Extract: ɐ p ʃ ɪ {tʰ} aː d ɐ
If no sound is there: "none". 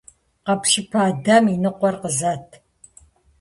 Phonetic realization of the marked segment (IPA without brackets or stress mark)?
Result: pʰ